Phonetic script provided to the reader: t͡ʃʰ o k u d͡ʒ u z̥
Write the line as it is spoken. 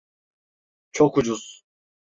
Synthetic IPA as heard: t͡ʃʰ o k u d͡ʒ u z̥